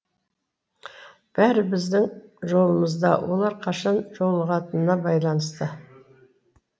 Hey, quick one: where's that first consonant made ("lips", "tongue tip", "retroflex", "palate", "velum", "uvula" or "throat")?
lips